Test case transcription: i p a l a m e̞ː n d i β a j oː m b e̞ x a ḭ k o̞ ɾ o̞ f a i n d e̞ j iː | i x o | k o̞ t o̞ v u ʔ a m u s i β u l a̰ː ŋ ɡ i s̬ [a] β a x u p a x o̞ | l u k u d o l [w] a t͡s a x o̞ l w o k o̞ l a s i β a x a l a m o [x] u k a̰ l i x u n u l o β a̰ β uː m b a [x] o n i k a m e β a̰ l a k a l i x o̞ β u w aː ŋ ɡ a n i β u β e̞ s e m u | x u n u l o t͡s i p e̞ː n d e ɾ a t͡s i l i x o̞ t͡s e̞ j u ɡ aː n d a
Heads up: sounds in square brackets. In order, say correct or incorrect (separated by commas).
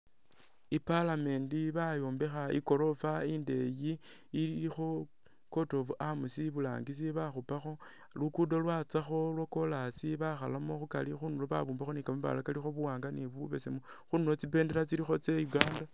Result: incorrect, correct, correct, correct